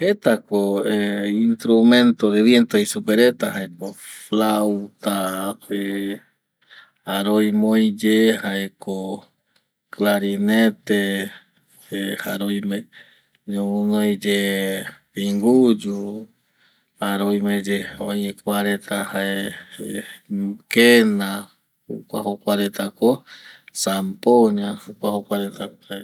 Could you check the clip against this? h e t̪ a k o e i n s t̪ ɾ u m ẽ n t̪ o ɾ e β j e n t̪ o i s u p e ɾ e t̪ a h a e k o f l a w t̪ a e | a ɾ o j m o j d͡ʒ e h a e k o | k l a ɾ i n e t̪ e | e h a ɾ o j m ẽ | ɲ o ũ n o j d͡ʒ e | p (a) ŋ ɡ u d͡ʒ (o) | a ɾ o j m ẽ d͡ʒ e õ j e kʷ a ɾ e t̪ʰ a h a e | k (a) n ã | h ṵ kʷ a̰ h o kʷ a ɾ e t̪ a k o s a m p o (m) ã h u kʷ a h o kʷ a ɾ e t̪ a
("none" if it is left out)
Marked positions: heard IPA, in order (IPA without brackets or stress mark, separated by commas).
i, u, e, ɲ